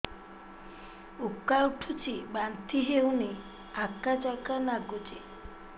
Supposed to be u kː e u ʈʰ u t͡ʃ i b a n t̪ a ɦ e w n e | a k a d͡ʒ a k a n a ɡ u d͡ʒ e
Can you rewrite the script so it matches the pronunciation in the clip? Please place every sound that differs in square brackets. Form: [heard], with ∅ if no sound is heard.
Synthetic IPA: u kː [a] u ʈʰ u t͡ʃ i b a n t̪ [i] ɦ e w n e | a k a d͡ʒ a k a n a ɡ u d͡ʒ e